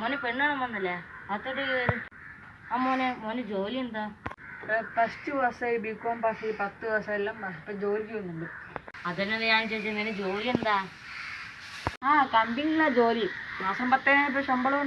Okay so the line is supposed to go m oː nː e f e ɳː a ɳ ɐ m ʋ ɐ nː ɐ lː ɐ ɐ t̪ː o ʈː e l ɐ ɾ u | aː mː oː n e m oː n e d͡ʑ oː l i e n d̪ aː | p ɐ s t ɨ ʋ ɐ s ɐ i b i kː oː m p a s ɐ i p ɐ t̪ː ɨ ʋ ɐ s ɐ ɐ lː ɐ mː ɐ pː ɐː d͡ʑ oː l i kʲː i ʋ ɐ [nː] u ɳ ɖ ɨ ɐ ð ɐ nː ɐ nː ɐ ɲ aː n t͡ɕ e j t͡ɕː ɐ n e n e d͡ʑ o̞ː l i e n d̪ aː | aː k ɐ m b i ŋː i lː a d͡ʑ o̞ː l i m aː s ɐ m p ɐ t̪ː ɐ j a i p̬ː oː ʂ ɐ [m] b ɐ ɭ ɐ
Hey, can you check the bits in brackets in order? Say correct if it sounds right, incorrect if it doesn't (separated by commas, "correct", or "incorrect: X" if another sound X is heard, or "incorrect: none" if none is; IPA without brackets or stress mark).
correct, correct